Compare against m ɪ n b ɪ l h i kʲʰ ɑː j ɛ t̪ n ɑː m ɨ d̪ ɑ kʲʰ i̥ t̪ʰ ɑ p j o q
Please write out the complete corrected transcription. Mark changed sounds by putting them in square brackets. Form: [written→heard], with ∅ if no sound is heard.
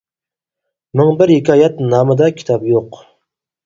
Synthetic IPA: m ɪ [n→ŋ] b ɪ [l→ɾ] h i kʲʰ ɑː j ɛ t̪ n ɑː m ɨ d̪ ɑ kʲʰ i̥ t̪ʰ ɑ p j o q